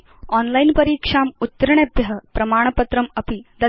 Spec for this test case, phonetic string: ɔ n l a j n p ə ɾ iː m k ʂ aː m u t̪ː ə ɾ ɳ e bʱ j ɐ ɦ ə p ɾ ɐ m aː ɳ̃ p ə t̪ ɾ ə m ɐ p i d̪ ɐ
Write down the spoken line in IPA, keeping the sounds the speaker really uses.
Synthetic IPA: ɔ n l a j n p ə ɾ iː k ʂ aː m u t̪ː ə ɾ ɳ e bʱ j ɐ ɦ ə p ɾ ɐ m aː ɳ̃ p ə t̪ ɾ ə m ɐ p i d̪ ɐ